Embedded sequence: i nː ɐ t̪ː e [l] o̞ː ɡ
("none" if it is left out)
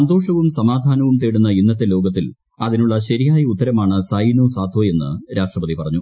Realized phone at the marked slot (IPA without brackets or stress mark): l